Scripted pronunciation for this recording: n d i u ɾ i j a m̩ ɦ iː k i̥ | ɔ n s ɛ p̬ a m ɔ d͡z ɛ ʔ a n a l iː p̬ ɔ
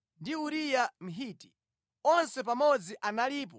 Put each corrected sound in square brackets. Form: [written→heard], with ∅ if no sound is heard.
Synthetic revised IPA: n d i u ɾ i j a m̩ ɦ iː [k→t] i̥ | ɔ n s ɛ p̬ a m ɔ d͡z [ɛ→i] ʔ a n a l iː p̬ ɔ